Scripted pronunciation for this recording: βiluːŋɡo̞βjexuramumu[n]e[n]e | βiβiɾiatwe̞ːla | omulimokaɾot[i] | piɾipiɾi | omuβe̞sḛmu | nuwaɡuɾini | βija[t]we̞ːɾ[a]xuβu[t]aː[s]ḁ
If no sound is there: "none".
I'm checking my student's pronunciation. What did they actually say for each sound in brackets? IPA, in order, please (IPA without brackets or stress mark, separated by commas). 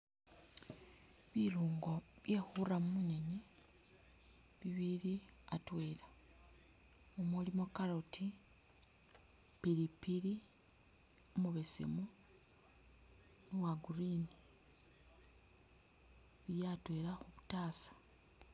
n, n, i, t, a, t, s